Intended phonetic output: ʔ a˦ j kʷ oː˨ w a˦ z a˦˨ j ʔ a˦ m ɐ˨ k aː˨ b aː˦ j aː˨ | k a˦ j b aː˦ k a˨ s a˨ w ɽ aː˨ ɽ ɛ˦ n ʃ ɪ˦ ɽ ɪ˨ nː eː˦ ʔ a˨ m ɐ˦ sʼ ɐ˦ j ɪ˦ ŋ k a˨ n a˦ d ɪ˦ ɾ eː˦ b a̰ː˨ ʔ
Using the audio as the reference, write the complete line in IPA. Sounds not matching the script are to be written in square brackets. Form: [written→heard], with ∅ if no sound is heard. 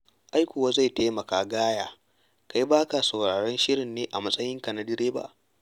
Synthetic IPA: ʔ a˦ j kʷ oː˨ w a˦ z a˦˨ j [ʔ→t] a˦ m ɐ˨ k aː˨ [b→ɡ] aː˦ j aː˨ | k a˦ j b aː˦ k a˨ s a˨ w ɽ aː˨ ɽ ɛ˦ n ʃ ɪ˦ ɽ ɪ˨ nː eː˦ ʔ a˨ m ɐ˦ sʼ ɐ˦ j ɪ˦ ŋ k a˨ n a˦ d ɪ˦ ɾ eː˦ b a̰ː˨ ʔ